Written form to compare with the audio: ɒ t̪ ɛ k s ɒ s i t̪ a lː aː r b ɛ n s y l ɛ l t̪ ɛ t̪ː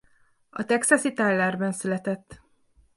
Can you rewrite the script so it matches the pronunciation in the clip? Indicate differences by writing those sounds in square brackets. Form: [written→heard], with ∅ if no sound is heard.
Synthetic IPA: ɒ t̪ ɛ k s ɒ s i t̪ a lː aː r b ɛ n s y l ɛ [l→∅] t̪ ɛ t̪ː